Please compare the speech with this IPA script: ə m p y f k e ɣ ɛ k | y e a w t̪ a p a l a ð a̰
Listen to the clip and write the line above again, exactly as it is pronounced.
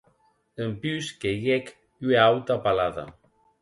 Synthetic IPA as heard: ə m p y s k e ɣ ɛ k | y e a w t̪ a p a l a ð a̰